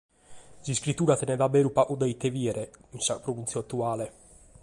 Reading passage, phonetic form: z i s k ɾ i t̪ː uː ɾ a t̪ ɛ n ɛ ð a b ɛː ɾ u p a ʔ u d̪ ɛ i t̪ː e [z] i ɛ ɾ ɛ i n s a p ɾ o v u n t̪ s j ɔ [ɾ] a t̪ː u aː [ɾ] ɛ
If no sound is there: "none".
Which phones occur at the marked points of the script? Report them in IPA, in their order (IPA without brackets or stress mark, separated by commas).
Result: v, none, l